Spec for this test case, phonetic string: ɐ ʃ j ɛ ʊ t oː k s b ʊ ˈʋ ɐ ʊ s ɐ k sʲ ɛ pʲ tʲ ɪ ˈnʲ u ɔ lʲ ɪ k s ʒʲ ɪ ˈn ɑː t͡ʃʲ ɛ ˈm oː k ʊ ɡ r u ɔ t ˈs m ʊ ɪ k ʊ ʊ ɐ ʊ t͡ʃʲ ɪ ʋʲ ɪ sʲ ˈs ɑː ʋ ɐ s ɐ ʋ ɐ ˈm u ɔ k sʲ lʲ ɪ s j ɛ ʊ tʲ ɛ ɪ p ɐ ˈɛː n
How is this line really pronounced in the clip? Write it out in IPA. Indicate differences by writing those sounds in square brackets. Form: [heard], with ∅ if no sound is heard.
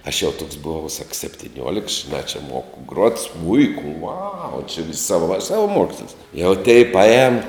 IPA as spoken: ɐ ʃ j ɛ ʊ t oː k s b ʊ ˈʋ ɐ ʊ s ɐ k sʲ ɛ pʲ tʲ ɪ ˈnʲ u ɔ lʲ ɪ k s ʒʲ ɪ ˈn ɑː t͡ʃʲ ɛ ˈm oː k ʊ ɡ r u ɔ t ˈs m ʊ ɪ k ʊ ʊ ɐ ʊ t͡ʃʲ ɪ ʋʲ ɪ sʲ ˈs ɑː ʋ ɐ s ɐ ʋ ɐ ˈm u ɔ k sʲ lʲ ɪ s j ɛ ʊ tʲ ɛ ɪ p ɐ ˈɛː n